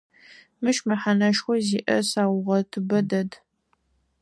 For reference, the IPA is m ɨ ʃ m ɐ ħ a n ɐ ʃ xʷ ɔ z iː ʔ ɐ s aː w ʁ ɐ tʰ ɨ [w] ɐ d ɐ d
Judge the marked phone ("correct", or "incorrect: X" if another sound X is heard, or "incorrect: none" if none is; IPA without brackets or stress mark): incorrect: b